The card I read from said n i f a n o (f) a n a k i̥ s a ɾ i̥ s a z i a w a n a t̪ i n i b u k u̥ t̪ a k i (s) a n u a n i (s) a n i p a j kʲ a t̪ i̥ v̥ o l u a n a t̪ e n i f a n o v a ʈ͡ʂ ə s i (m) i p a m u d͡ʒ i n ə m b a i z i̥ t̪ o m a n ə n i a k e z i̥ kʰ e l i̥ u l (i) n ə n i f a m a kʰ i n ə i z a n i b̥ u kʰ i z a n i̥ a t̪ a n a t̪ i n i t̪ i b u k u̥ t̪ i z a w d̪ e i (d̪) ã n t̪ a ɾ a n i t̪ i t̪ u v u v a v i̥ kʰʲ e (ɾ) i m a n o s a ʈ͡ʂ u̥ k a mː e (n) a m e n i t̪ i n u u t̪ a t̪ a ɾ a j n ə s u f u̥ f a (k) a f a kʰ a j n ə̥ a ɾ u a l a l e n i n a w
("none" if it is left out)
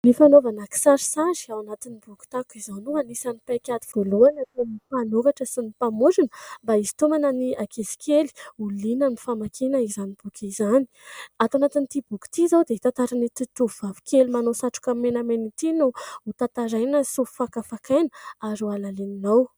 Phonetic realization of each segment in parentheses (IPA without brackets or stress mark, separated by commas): v, z, s, n, i, t̪, l, n, k